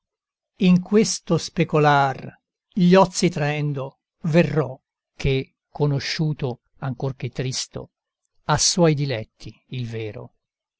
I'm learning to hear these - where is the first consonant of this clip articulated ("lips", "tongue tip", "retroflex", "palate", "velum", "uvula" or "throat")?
velum